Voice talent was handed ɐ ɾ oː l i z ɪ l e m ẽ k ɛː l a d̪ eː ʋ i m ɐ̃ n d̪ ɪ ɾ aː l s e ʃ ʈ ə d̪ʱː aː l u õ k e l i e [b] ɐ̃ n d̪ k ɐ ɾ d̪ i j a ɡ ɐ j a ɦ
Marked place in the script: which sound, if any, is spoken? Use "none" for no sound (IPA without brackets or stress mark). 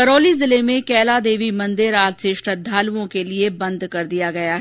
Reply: b